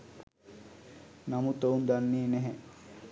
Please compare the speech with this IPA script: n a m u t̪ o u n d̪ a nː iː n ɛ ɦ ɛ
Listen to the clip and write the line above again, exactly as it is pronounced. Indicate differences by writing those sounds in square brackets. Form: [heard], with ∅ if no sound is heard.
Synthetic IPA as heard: n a m u t̪ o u n d̪ a nː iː n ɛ ɦ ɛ